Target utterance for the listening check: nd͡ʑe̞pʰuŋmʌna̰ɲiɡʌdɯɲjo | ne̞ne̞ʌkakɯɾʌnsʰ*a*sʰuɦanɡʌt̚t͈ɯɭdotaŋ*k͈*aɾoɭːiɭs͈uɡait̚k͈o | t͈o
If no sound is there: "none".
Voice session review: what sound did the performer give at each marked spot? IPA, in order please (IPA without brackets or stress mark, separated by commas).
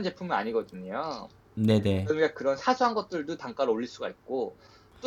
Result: a, k͈